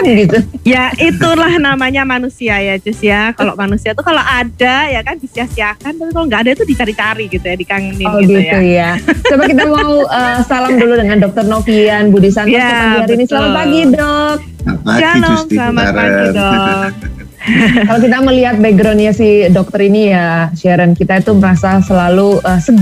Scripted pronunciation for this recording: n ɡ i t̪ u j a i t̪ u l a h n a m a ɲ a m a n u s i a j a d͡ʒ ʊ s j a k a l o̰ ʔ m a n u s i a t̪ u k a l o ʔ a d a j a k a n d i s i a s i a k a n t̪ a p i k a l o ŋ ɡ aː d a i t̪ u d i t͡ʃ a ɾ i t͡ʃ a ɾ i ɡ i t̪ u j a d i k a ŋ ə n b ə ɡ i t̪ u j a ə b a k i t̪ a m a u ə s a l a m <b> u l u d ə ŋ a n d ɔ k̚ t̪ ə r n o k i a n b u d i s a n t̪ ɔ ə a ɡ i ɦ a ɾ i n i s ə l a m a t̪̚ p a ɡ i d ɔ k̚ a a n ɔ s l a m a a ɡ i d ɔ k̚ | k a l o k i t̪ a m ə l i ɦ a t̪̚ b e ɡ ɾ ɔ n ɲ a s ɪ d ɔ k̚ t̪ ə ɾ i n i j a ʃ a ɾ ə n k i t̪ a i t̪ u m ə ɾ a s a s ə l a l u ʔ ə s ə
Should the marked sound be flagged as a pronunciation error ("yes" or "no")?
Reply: yes